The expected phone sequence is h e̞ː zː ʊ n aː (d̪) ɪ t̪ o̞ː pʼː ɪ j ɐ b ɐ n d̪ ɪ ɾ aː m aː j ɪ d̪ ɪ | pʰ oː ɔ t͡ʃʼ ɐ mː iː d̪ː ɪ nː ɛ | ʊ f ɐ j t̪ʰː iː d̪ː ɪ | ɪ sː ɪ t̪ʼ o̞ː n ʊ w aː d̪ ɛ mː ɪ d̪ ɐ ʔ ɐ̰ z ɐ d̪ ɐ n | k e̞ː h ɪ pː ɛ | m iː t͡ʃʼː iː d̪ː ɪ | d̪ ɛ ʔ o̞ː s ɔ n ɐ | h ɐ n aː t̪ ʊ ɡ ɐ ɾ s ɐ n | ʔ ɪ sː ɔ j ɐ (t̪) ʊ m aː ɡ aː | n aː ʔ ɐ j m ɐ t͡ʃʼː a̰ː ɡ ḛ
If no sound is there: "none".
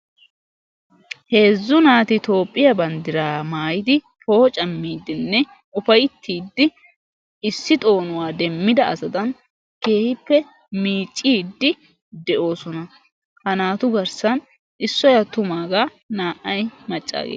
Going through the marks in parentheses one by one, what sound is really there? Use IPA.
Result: t̪, t̪

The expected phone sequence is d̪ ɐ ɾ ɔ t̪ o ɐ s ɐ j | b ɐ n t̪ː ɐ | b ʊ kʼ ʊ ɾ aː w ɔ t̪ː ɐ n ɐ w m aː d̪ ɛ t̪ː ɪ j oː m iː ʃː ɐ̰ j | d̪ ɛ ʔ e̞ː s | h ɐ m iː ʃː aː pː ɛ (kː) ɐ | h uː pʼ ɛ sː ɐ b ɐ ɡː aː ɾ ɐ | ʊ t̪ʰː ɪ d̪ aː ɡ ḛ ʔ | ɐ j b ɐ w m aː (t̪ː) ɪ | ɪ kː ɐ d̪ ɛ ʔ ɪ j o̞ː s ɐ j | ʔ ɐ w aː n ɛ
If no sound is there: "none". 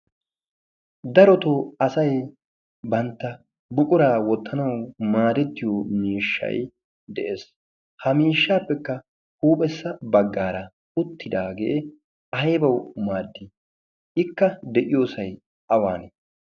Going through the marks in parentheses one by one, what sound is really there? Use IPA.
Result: kː, d̪ː

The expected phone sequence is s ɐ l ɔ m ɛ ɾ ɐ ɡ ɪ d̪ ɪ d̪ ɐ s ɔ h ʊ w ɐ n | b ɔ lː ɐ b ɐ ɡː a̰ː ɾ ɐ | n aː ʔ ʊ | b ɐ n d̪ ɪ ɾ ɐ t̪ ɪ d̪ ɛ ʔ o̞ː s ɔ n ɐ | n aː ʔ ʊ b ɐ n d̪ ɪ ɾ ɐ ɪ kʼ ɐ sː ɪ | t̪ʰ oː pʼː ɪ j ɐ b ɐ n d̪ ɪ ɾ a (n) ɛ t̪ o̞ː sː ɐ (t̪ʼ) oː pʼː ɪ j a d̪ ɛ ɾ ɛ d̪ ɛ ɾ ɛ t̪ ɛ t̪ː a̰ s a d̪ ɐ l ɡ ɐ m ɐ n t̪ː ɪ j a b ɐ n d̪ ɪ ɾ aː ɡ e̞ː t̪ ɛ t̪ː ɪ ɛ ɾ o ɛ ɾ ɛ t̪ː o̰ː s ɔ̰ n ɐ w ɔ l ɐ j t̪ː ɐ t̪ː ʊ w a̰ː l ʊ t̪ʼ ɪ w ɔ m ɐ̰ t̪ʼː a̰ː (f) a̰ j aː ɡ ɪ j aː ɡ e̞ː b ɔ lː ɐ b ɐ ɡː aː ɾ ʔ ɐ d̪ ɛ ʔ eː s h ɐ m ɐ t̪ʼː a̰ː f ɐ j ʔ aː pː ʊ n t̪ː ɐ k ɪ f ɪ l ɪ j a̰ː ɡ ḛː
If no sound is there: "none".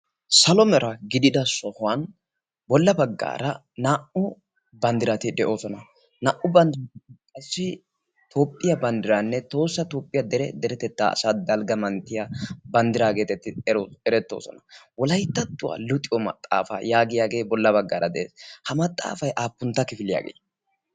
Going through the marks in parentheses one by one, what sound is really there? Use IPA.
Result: nː, t̪, f

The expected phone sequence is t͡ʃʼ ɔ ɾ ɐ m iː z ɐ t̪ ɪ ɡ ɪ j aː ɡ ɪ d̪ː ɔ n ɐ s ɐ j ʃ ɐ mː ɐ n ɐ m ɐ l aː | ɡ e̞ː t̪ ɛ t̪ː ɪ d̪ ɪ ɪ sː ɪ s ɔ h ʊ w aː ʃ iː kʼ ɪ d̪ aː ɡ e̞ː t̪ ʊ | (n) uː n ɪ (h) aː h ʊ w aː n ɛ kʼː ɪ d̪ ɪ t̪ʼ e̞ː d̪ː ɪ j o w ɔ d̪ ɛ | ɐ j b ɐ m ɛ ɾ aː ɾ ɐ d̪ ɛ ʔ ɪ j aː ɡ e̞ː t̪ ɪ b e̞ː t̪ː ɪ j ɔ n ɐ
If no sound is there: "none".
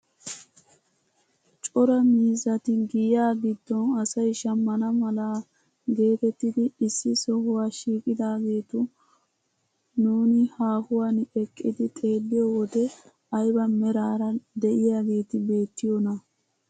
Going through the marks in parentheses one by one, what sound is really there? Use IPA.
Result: n, h

